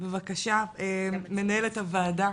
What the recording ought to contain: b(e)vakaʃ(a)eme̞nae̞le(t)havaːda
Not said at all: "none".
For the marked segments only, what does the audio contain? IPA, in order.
e, a, t

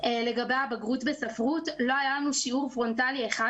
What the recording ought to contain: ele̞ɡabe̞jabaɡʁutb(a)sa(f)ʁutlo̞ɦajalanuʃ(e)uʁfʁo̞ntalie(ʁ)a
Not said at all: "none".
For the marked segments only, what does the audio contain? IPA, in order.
e, f, i, χ

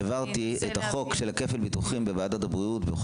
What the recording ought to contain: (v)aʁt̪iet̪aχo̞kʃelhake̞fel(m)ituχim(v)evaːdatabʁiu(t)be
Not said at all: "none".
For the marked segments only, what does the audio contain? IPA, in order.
v, b, b, t

